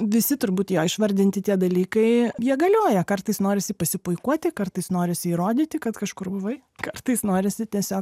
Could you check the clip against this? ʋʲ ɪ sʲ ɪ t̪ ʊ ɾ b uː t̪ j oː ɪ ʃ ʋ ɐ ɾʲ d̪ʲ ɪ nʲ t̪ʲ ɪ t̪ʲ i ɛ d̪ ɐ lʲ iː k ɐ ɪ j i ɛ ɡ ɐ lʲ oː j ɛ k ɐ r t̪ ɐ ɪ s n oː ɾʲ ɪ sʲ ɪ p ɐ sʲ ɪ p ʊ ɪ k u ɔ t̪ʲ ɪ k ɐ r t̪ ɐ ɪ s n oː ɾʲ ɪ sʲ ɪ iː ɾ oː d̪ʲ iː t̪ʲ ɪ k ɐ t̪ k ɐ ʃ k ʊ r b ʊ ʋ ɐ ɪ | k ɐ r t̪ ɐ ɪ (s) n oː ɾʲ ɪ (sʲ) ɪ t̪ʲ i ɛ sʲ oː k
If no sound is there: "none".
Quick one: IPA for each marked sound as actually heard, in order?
s, sʲ

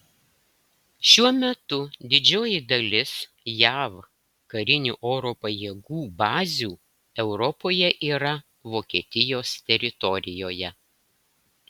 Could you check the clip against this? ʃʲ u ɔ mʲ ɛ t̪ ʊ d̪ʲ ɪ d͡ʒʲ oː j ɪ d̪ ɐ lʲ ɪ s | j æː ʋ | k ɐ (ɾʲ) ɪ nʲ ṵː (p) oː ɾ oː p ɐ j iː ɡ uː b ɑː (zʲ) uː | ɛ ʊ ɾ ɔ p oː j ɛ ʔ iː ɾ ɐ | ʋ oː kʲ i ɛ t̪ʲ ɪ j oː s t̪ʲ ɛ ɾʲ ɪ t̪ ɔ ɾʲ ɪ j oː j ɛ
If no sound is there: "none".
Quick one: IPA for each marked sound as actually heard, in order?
ɾʲ, ʔ, zʲ

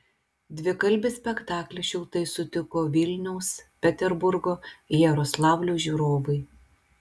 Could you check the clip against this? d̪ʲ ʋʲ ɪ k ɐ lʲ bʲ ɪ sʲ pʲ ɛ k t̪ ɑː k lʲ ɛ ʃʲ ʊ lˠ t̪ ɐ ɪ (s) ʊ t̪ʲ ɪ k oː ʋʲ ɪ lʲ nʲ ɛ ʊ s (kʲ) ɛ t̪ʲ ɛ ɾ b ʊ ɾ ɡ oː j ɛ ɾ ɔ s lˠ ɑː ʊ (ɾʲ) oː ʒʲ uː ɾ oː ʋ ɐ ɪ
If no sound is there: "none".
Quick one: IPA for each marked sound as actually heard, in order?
s, pʲ, lʲ

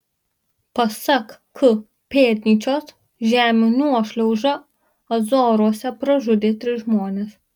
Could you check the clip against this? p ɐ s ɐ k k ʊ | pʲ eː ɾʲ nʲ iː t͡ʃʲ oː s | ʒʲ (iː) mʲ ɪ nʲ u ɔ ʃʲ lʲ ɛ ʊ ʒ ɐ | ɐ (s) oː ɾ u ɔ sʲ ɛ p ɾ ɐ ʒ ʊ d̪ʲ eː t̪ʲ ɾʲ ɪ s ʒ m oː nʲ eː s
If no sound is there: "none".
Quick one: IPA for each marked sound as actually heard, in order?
æː, z

